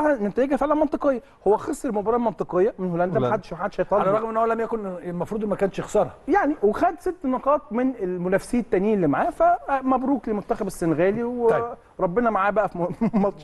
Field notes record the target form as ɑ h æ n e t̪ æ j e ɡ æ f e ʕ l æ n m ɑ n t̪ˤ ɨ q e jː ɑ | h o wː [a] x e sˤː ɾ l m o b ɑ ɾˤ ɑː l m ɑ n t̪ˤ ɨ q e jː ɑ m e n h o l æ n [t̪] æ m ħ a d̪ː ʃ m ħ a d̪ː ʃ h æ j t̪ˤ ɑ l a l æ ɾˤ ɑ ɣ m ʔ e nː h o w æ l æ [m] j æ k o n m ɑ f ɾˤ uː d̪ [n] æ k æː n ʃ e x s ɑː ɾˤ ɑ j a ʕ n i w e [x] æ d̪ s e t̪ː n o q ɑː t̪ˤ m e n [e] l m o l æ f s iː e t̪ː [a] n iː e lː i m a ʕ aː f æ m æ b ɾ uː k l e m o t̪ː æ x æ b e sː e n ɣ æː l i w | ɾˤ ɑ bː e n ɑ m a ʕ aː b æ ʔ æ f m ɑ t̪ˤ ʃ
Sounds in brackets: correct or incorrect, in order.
incorrect: æ, incorrect: d̪, correct, incorrect: m, correct, correct, incorrect: æ

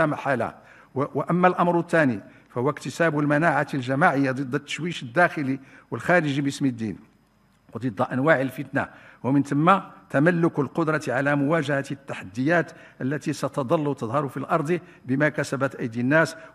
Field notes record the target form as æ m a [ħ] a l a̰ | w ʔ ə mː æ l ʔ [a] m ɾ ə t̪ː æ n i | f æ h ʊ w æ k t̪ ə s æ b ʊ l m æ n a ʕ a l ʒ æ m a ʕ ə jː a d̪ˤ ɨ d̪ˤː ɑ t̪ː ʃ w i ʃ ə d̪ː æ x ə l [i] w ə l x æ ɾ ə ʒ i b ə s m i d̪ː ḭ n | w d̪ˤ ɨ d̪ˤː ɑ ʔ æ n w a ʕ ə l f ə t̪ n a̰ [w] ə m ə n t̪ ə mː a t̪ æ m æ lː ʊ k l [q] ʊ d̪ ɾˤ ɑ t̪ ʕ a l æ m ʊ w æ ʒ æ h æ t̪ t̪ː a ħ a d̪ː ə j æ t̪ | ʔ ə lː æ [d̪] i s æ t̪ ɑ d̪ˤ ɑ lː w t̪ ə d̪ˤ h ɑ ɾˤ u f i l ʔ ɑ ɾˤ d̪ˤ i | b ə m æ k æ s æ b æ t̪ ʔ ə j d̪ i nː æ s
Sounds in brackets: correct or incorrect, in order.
correct, incorrect: ɑ, correct, correct, correct, incorrect: t̪

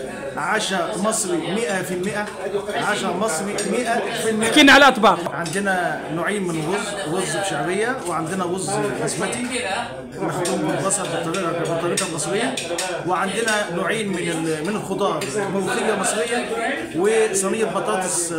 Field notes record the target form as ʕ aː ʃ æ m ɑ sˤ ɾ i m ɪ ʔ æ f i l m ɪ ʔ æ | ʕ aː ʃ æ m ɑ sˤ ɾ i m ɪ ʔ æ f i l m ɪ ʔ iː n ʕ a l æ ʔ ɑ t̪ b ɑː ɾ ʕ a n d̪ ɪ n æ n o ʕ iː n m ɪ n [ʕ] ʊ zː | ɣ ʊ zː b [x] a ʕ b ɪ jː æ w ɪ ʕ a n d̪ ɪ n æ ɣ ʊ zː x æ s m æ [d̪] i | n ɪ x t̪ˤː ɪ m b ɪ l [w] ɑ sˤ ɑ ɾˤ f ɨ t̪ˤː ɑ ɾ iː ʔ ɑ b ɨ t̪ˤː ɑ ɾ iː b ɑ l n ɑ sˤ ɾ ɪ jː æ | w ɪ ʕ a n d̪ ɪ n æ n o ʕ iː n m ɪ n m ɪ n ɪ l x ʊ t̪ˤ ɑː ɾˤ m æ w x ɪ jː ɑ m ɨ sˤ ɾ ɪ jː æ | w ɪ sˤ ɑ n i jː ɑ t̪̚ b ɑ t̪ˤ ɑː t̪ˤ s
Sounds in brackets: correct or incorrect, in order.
incorrect: ɣ, incorrect: ʃ, incorrect: t̪, incorrect: b

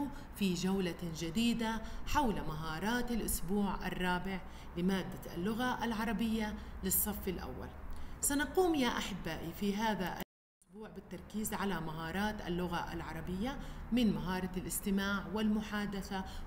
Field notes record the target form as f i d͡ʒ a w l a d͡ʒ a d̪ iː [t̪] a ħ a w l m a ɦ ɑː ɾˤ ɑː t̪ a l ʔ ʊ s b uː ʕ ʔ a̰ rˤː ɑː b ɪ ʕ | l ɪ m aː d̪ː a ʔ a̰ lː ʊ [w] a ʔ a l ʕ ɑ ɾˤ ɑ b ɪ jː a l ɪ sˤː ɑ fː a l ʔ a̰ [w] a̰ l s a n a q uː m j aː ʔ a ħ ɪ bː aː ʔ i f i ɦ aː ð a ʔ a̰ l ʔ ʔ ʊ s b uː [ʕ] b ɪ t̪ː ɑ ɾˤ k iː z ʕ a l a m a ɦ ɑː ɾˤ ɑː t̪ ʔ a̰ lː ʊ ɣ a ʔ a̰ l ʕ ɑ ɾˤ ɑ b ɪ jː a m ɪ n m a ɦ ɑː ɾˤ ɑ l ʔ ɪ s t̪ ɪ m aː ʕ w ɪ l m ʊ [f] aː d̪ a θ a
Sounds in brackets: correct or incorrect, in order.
incorrect: d̪, incorrect: ɣ, incorrect: wː, correct, incorrect: ħ

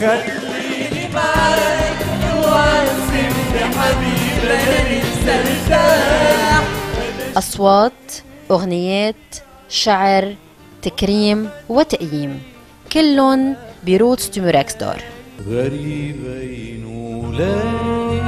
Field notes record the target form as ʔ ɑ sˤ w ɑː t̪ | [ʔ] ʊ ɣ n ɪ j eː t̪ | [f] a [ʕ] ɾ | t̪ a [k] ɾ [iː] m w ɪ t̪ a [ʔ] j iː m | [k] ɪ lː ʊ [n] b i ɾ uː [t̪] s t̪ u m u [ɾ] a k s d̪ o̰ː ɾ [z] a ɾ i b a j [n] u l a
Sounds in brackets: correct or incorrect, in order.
correct, incorrect: ʃ, correct, correct, correct, correct, correct, correct, correct, correct, incorrect: ɣ, correct

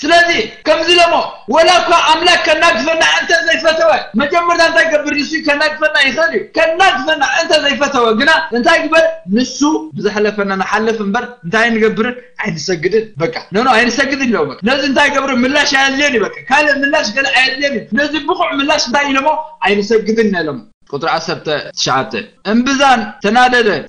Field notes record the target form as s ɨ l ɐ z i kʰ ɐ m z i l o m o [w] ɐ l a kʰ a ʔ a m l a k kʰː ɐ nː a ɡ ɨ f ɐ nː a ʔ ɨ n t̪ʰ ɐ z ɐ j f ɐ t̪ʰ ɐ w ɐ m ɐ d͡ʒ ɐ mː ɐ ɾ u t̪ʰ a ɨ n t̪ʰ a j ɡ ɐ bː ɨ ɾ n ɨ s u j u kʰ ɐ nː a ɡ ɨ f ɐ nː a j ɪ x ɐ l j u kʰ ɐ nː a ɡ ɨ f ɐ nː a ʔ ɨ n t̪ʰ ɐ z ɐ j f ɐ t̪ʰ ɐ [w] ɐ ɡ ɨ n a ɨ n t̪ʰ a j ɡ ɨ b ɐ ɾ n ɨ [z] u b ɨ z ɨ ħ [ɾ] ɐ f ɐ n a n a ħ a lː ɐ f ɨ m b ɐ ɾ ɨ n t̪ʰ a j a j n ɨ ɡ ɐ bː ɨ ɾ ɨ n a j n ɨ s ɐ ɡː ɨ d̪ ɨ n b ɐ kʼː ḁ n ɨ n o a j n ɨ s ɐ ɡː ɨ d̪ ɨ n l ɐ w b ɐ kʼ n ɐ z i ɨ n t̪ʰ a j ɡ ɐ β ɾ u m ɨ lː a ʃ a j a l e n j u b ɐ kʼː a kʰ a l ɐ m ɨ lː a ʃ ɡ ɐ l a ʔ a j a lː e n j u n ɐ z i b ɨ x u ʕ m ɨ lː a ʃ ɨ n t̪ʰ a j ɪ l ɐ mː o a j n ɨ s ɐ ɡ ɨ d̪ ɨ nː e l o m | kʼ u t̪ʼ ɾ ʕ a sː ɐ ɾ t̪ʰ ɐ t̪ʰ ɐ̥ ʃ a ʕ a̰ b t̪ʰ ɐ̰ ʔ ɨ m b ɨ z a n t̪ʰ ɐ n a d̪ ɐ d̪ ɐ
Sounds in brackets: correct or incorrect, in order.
correct, correct, incorrect: s, incorrect: l

